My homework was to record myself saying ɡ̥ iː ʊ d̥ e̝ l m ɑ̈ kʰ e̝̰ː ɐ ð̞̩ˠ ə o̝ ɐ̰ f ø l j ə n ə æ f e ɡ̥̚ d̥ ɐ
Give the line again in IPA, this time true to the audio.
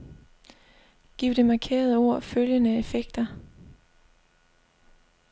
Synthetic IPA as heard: ɡ̥ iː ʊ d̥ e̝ m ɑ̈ kʰ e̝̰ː ɐ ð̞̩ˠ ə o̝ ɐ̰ f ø l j ə n ə e f e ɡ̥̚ d̥ ɐ